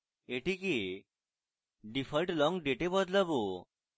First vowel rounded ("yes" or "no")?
no